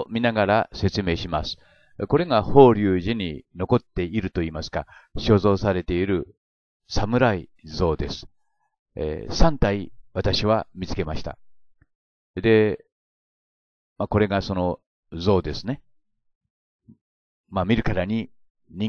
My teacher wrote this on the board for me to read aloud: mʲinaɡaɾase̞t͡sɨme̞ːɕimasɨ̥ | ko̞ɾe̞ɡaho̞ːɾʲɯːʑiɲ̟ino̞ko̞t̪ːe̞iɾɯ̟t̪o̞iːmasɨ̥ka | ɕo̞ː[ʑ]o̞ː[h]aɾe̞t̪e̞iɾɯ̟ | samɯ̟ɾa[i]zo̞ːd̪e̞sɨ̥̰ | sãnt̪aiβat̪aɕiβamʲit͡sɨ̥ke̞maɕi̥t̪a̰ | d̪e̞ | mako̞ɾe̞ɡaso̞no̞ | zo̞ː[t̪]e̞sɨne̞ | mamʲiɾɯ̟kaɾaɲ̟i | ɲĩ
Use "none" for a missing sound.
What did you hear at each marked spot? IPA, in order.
z, s, i, d̪

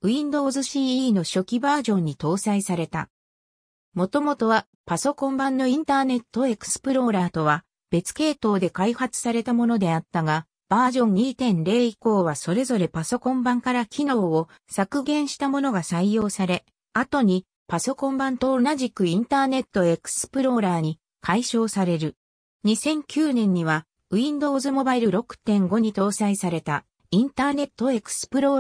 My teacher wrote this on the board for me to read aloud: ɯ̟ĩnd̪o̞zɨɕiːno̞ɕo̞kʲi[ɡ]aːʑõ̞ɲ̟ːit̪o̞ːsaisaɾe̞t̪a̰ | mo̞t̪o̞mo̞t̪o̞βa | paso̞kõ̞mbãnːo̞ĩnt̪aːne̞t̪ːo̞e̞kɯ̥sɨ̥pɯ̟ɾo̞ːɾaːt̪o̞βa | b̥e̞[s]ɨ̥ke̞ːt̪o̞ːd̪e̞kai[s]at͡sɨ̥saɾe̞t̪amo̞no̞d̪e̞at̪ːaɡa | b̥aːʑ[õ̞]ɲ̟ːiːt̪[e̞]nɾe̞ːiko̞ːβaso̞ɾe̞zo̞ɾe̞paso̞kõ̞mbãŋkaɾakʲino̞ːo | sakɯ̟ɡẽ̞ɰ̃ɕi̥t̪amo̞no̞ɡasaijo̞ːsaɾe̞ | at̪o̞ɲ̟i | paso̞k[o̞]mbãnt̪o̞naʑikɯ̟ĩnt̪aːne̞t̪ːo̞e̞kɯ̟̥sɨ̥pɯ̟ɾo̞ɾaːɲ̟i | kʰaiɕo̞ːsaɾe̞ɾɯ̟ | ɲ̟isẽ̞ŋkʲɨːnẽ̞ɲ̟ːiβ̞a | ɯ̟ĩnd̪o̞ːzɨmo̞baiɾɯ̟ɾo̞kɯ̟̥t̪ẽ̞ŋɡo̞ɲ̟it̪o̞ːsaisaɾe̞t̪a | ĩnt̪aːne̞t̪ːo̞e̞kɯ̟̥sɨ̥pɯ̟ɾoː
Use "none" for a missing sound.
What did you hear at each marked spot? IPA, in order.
b, t͡s, h, õ̞, ẽ̞, õ̞

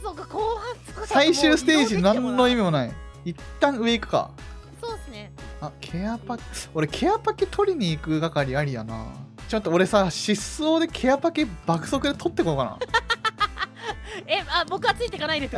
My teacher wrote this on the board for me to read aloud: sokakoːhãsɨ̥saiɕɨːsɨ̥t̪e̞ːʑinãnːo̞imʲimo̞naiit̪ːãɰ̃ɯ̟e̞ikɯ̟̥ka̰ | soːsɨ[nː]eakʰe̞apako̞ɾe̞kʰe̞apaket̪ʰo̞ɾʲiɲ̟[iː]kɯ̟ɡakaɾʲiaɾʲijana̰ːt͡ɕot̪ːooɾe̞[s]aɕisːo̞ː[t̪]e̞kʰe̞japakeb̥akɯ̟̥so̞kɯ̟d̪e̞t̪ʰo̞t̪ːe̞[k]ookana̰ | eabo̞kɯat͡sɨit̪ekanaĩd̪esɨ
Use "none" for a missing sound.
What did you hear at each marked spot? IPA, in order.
n, iː, s, d̪, k

